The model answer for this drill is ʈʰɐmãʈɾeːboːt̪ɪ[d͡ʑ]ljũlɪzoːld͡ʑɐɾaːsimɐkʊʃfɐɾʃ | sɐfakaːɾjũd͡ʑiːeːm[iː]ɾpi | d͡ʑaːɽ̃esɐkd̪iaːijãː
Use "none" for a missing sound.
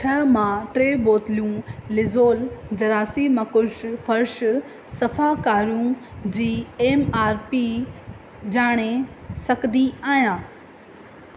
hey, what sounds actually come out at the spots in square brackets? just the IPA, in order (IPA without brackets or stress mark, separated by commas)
none, aː